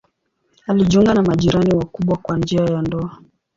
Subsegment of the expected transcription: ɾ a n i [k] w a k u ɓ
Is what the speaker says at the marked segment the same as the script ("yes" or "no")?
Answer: no